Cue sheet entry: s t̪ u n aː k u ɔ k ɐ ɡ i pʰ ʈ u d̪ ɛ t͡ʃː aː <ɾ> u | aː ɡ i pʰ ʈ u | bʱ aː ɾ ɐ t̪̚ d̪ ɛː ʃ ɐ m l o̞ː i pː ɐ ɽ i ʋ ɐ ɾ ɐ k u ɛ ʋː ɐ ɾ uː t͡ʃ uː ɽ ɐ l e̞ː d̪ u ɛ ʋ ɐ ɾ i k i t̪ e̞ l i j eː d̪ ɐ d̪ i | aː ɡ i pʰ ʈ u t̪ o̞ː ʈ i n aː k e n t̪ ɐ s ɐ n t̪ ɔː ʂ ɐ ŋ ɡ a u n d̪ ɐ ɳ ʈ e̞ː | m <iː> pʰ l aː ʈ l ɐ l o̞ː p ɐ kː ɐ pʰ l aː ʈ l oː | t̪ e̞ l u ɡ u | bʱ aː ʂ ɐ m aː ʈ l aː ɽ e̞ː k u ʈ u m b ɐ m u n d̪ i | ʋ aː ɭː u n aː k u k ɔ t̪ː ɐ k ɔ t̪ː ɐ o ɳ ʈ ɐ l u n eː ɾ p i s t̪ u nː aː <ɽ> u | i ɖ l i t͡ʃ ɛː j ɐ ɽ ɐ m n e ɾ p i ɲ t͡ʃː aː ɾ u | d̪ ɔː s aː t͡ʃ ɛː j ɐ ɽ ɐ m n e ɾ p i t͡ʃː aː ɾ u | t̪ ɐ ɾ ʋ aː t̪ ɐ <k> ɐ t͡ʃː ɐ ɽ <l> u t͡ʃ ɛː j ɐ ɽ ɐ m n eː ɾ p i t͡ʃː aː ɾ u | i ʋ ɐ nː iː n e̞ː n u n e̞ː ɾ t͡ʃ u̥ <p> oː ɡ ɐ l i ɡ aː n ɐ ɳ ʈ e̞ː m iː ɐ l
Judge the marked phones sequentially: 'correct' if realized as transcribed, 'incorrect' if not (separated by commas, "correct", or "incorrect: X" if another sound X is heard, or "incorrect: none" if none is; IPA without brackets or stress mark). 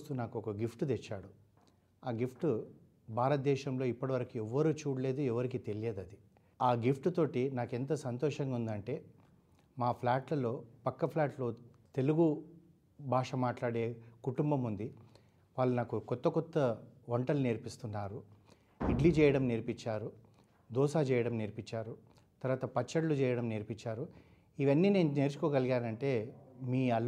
incorrect: ɽ, incorrect: aː, incorrect: ɾ, incorrect: p, correct, incorrect: k